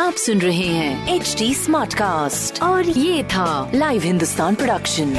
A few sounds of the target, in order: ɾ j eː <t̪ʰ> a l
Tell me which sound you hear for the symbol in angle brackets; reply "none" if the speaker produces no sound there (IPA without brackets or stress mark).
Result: t̪ʰ